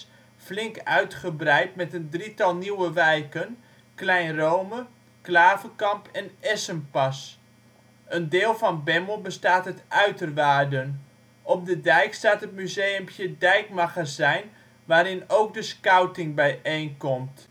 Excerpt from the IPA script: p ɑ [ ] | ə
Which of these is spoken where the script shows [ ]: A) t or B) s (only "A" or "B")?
B